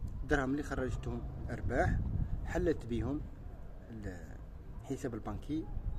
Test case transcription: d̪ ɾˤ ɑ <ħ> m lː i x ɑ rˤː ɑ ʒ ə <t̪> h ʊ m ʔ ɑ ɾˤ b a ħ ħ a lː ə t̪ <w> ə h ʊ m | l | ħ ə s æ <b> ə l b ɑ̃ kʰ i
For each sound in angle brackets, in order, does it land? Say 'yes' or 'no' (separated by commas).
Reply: no, yes, no, yes